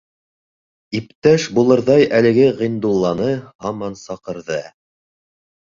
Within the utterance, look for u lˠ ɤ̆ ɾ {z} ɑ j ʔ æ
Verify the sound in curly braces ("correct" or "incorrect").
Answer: incorrect